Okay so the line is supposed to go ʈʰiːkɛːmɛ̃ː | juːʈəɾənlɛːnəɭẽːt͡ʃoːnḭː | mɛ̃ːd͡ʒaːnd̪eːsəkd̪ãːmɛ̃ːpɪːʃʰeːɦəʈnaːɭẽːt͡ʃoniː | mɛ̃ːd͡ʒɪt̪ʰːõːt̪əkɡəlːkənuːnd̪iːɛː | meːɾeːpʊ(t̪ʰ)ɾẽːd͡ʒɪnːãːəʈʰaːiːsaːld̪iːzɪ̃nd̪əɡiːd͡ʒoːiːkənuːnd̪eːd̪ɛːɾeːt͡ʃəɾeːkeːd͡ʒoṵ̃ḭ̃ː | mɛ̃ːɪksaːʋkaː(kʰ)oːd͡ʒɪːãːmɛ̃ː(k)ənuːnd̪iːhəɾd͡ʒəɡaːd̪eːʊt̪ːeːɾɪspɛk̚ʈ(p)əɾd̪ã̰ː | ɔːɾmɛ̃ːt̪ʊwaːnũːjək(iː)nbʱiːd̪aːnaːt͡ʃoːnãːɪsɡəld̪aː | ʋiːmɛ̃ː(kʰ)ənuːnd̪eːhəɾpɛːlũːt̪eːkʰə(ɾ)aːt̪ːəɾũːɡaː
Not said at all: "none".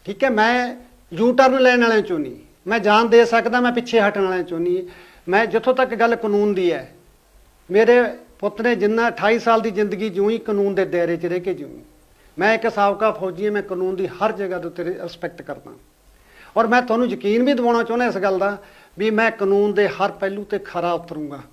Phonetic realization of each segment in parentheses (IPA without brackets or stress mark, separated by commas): t̪, pʰ, k, k, iː, k, ɾ